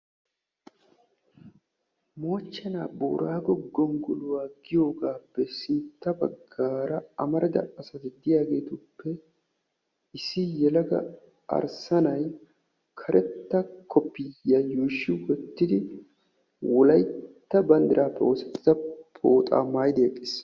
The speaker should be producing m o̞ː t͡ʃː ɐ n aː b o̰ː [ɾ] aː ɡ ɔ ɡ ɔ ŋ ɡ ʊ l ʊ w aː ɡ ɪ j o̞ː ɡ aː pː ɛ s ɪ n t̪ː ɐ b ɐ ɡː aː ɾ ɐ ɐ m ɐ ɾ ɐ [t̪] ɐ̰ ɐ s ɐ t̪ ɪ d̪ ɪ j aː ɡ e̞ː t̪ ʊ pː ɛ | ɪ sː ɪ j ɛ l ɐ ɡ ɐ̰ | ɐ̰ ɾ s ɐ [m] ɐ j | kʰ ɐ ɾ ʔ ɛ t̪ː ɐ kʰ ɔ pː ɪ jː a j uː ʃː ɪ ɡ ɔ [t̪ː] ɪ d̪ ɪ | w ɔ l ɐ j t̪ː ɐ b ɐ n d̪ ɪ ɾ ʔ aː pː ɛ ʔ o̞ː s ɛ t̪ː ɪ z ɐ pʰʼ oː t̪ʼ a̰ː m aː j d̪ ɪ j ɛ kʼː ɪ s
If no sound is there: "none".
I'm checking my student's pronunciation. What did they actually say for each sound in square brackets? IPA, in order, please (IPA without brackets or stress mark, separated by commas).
ɾ, d̪, n, t̪ː